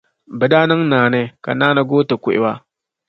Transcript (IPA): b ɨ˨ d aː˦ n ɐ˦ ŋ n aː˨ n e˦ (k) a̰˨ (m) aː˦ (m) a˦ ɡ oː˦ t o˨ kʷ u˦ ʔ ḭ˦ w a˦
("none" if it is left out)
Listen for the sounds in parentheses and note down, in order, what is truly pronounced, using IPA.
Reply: k, n, n

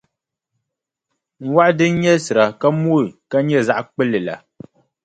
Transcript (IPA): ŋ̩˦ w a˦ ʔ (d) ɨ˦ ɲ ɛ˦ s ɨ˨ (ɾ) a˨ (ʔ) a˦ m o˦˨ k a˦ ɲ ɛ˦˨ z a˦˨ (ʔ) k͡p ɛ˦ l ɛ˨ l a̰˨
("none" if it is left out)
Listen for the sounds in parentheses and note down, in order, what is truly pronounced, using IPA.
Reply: d, ɾ, k, ʔ

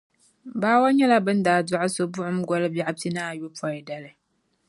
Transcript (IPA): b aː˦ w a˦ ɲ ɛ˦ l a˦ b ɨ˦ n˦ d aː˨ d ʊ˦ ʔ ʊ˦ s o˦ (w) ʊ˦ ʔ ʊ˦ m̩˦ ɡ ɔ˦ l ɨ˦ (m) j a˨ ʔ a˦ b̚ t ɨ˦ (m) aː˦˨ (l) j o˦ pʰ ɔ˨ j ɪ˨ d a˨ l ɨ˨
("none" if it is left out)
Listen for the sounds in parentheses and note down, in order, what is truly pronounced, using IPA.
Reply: b, b, n, none

